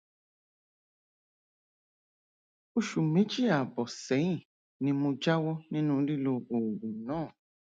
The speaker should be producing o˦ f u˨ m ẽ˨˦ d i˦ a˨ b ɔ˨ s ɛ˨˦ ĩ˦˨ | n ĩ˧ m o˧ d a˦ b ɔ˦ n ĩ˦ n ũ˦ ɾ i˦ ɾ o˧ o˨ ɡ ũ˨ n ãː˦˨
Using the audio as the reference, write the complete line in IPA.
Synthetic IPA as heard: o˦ ʃ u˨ m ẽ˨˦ d͡ʒ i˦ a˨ b ɔ˨ s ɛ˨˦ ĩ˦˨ | n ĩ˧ m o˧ d͡ʒ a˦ w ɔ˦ n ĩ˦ n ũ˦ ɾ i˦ l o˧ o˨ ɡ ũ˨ n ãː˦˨